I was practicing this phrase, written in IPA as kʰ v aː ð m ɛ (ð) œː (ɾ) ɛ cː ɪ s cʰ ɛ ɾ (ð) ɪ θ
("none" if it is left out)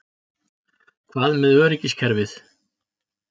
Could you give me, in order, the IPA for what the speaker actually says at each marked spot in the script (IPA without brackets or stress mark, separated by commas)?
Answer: ð, ɾ, v